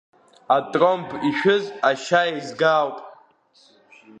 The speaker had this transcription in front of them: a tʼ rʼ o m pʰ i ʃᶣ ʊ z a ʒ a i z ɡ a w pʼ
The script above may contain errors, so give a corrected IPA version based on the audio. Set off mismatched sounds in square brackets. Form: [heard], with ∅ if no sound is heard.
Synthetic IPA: a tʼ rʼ o m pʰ i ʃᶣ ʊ z a [ʃ] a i z ɡ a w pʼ